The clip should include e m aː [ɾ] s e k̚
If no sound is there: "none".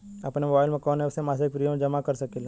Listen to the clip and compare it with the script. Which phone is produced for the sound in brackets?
none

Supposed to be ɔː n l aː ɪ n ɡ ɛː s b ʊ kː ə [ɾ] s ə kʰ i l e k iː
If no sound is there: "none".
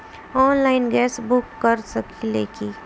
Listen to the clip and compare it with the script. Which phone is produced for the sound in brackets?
ɾ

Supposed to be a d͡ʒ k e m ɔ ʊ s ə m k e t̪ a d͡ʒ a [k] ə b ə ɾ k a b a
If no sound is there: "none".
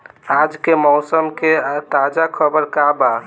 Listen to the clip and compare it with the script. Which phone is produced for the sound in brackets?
kʰ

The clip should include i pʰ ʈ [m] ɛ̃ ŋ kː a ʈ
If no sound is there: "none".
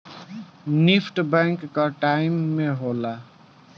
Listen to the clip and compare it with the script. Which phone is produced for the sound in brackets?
b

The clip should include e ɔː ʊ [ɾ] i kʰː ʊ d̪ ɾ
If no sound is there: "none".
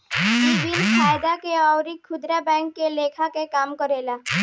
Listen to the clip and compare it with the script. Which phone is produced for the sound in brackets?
ɾ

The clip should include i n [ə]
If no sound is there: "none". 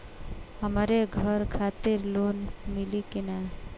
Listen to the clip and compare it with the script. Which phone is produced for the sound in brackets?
a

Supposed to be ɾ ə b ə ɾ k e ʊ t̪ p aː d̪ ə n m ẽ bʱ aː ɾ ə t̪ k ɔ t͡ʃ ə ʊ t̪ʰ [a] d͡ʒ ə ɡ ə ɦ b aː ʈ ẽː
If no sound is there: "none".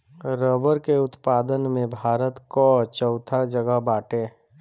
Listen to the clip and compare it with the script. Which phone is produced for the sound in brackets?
a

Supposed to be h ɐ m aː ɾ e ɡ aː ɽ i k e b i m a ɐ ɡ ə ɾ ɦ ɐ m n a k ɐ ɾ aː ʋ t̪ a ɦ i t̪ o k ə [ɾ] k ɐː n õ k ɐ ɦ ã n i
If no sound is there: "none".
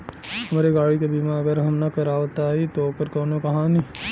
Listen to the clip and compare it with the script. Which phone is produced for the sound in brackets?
ɾ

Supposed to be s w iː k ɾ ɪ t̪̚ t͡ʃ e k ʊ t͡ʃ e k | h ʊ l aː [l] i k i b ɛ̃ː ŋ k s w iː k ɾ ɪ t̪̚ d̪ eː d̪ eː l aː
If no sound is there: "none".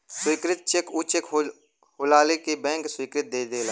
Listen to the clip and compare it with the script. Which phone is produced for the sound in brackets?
l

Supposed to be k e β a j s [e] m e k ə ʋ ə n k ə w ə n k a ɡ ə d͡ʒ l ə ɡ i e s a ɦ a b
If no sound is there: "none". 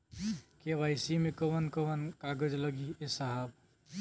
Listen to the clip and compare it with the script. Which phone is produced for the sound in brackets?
i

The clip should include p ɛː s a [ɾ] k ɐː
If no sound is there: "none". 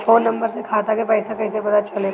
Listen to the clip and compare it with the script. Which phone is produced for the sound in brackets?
none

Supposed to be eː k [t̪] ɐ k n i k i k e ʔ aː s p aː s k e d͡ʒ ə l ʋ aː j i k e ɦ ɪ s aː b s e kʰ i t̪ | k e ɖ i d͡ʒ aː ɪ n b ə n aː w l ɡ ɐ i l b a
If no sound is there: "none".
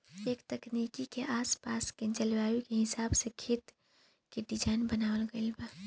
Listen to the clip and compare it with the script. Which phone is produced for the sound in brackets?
t̪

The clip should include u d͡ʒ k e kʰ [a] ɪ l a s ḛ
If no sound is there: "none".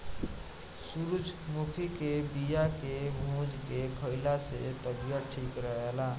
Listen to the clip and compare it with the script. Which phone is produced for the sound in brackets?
ə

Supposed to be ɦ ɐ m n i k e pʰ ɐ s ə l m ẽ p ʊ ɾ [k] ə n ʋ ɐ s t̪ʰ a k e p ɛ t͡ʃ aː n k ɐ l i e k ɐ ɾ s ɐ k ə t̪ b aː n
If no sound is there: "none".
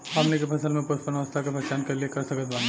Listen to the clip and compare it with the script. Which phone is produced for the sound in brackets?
p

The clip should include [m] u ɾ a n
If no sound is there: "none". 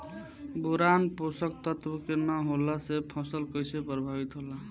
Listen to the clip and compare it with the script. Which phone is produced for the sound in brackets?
b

